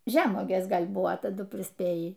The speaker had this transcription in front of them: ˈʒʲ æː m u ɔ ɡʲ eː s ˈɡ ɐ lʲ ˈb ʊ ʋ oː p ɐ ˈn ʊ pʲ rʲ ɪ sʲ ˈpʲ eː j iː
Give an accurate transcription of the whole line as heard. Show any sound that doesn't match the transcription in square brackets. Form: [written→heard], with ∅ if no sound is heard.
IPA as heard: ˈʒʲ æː m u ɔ ɡʲ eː s ˈɡ ɐ lʲ ˈb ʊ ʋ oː [p→t] ɐ [ˈn→ˈd] ʊ pʲ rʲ ɪ sʲ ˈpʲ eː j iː